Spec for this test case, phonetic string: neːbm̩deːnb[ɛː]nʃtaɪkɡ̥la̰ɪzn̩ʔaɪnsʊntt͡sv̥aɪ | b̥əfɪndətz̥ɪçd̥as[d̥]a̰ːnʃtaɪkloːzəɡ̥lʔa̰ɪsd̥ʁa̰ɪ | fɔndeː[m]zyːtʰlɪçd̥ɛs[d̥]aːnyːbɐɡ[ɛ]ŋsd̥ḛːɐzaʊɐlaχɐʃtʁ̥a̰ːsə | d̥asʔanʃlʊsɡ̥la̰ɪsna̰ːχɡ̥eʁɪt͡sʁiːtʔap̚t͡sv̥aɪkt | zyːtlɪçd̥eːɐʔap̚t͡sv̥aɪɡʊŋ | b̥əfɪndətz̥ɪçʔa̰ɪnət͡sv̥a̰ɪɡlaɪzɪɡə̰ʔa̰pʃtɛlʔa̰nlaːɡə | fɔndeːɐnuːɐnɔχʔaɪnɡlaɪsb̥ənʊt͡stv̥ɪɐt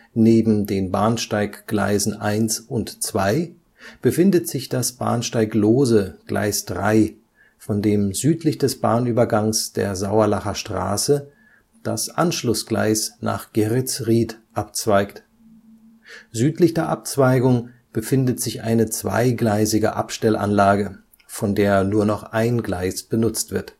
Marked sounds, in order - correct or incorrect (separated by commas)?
incorrect, incorrect, correct, incorrect, incorrect